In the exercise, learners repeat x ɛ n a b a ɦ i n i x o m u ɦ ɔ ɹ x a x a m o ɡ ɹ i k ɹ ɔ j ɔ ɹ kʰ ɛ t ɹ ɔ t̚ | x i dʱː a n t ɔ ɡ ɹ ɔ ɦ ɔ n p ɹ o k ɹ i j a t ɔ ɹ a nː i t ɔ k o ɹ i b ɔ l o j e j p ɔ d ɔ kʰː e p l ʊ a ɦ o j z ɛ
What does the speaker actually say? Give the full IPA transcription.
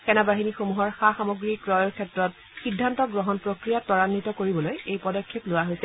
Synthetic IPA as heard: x ɛ n a b a ɦ i n i x o m u ɦ ɔ ɹ x a x a m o ɡ ɹ i k ɹ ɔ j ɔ ɹ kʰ ɛ t ɹ ɔ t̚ | x i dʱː a n t ɔ ɡ ɹ ɔ ɦ ɔ n p ɹ o k ɹ i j a t ɔ ɹ a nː i t ɔ k o ɹ i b ɔ l o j e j p ɔ d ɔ kʰː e p l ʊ a ɦ o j s ɛ